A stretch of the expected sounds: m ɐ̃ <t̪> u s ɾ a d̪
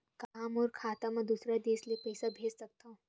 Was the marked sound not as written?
yes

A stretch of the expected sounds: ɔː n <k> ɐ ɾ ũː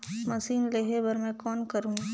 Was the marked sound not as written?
no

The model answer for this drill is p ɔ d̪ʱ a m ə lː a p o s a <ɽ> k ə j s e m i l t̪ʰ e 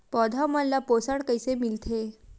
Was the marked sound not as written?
no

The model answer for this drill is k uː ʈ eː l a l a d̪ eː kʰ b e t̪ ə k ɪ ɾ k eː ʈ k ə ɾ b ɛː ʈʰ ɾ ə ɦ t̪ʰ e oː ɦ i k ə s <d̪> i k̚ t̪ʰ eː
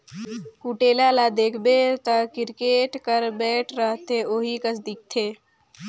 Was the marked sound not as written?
no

